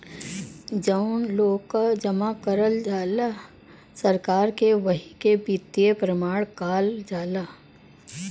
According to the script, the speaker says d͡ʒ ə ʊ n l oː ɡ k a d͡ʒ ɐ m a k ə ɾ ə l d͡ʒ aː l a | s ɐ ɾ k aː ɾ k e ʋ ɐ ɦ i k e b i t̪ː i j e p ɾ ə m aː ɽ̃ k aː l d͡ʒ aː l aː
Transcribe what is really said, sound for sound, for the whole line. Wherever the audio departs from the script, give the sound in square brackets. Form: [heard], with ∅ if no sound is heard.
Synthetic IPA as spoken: d͡ʒ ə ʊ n l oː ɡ k a d͡ʒ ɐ m a k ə ɾ ə l d͡ʒ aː l a | s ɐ ɾ k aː ɾ k e ʋ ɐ ɦ i k e b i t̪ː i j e p ɾ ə m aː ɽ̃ k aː l d͡ʒ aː l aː